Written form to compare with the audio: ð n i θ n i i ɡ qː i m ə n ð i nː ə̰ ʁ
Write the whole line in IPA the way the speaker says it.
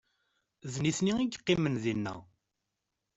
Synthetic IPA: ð n i θ n i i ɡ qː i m ə n ð i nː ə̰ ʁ